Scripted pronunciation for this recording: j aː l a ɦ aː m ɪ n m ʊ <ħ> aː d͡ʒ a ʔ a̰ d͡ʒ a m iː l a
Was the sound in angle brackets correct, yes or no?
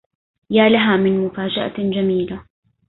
no